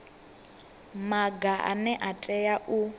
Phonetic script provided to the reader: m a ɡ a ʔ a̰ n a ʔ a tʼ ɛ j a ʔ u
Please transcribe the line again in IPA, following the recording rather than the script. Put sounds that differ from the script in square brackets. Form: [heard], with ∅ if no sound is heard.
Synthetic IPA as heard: m a ɡ a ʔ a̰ n [ɛ] ʔ a tʼ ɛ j a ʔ u